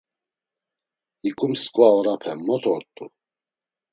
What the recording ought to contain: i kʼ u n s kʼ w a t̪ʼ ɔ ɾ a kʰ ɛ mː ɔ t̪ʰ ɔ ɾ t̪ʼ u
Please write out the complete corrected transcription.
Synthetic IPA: i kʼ u m s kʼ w a ɔ ɾ a pʰ ɛ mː ɔ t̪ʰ ɔ ɾ t̪ʼ u